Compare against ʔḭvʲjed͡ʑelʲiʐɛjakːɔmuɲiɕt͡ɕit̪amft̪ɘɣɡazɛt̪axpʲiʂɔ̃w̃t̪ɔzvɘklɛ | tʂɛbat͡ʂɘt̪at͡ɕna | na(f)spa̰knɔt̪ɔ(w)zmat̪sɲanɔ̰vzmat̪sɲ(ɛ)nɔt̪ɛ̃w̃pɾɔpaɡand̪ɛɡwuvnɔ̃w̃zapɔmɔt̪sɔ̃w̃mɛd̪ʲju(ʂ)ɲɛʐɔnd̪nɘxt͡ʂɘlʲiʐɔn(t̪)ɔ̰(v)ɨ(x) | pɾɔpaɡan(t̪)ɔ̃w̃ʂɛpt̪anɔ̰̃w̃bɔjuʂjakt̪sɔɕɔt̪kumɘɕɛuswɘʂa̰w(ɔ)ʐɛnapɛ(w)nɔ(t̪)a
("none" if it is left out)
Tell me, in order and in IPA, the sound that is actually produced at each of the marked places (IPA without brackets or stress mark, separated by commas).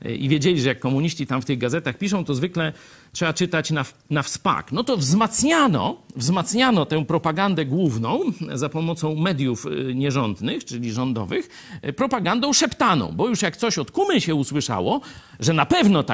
f, v, a, f, d̪, v, x, d̪, ɔ, v, t̪